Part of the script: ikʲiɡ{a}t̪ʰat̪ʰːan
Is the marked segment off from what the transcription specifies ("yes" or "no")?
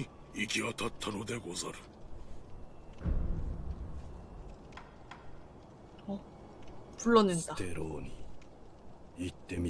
no